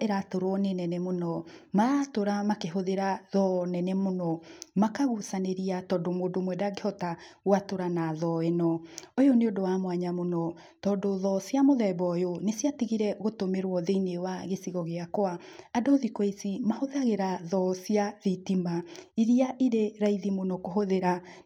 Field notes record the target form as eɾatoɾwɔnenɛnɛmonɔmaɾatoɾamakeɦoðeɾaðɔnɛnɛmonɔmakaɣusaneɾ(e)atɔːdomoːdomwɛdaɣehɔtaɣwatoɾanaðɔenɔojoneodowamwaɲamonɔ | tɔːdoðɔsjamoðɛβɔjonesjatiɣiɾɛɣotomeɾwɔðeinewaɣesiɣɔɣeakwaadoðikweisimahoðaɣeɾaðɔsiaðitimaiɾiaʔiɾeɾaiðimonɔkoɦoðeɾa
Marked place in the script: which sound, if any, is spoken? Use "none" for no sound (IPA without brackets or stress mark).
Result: i